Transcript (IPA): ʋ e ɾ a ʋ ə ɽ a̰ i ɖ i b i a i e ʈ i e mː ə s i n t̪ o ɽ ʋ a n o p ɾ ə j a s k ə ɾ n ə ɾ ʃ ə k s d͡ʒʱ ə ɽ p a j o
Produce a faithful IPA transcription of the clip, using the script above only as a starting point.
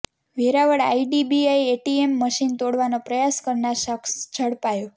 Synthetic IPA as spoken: ʋ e ɾ a ʋ ə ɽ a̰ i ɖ i b i a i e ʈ i e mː ə ʃ i n t̪ o ɽ ʋ a n o p ɾ ə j a s k ə ɾ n a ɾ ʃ ə k s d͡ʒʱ ə ɽ p a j o

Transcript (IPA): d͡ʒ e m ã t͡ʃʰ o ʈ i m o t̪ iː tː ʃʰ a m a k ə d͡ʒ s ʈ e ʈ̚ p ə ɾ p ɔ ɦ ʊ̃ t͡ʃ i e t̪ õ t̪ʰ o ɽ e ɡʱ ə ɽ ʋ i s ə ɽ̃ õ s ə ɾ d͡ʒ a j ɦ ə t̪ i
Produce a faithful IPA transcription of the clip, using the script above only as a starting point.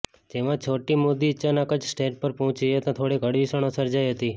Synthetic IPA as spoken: d͡ʒ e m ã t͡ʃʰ o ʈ i m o d̪ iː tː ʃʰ a n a k ə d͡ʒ s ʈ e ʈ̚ p ə ɾ p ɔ ɦ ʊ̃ t͡ʃ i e t̪ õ t̪ʰ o ɽ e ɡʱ ə ɽ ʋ i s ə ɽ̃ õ s ə ɾ d͡ʒ a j ɦ ə t̪ i

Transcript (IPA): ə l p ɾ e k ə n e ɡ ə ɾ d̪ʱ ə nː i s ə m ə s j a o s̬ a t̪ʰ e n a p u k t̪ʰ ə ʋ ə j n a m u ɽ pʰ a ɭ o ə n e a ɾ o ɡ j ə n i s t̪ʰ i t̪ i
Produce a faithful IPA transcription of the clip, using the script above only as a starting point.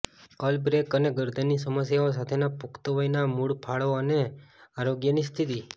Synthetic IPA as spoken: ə l b ɾ e k ə n e ɡ ə ɾ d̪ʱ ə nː i s ə m ə s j a o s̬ a t̪ʰ e n a p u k t̪ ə ʋ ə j n a m u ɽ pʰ a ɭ o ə n e a ɾ o ɡ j ə n i s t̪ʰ i t̪ i

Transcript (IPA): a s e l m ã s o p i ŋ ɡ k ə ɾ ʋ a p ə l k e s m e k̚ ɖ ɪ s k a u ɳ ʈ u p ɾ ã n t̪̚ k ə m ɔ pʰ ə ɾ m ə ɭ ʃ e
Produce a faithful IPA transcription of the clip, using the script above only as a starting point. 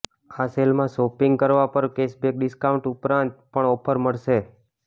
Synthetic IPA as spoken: a s e l m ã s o p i ŋ ɡ k ə ɾ ʋ a p ə ɾ k e s b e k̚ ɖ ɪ s k a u ɳ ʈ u p ɾ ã n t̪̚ p ə ɳ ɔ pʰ ə ɾ m ə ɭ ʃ e

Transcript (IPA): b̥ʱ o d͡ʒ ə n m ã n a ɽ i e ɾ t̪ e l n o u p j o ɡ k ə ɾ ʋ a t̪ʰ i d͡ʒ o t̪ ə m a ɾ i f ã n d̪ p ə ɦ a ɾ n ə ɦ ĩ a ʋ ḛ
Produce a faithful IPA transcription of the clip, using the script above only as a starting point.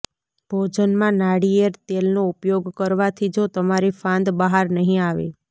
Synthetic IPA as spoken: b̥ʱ o d͡ʒ ə n m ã n a ɽ i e ɾ t̪ e l n o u p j o ɡ k ə ɾ ʋ a t̪ʰ i d͡ʒ o t̪ ə m a ɾ i f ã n d̪ b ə ɦ a ɾ n ə ɦ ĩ a ʋ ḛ

